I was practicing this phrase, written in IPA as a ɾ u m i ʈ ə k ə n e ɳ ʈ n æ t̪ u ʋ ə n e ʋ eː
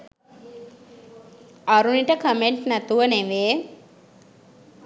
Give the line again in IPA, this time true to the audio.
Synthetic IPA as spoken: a ɾ u n i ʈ ə k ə m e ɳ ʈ n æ t̪ u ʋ ə n e ʋ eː